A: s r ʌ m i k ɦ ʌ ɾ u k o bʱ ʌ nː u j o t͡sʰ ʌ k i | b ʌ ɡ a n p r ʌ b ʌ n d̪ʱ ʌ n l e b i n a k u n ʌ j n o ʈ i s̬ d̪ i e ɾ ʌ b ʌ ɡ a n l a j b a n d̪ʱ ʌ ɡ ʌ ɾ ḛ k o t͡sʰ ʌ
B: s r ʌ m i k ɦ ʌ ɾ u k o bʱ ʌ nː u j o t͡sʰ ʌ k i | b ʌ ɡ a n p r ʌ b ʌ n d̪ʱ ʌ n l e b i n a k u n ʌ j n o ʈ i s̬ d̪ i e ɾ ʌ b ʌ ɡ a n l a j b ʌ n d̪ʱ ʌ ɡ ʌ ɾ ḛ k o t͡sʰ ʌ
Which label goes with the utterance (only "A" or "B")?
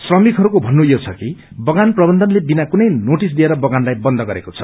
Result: B